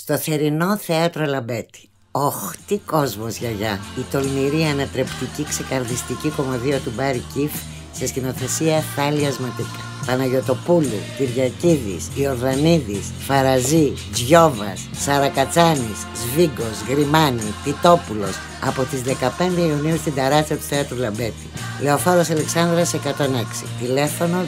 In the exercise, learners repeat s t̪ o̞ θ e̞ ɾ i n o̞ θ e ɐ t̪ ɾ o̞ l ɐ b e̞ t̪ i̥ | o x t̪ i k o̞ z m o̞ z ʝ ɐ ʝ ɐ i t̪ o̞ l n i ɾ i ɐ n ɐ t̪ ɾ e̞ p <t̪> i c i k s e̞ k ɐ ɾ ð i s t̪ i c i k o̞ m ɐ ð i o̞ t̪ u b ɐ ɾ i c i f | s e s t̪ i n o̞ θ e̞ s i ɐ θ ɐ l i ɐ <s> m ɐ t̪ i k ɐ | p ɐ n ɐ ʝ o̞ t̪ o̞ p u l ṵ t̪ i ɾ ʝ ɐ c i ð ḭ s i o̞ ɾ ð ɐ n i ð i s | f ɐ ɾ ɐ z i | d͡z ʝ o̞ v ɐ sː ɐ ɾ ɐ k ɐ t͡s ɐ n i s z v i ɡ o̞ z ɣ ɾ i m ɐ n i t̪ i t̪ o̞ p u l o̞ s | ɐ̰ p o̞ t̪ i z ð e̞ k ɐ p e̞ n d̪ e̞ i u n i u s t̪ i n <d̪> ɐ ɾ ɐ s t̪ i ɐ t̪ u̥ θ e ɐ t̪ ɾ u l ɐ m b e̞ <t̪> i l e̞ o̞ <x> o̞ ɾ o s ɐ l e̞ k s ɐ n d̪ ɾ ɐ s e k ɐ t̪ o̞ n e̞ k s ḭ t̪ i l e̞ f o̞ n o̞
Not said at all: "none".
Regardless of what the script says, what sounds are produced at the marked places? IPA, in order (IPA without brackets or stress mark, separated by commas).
t̪, z, d̪, t̪, f